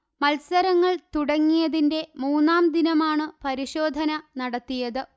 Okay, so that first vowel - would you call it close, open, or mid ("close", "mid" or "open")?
open